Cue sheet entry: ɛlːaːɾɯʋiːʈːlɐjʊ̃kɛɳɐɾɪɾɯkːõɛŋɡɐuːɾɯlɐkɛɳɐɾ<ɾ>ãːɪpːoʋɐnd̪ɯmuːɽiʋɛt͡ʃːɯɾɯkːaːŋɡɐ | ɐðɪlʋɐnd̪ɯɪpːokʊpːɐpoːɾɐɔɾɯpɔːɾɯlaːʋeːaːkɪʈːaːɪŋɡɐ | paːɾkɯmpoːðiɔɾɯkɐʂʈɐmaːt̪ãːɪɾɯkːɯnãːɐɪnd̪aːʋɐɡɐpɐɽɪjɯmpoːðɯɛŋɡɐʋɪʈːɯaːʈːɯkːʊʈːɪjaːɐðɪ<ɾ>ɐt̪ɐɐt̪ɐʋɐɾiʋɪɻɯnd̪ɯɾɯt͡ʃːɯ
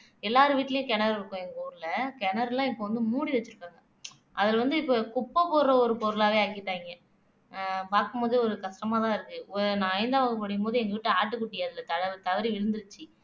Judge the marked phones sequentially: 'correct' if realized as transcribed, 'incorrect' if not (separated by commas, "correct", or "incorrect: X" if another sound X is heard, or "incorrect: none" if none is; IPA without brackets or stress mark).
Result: incorrect: l, incorrect: l